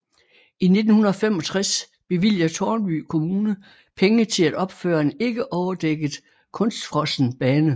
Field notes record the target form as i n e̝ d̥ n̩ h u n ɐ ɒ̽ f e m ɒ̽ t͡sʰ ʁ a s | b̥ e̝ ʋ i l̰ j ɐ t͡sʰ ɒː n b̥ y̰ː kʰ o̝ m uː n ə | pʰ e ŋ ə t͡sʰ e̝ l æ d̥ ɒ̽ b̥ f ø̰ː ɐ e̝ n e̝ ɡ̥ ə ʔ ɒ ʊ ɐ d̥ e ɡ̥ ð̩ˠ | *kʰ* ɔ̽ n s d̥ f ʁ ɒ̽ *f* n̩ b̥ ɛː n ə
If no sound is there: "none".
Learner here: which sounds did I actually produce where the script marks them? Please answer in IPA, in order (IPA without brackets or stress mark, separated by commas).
kʰ, s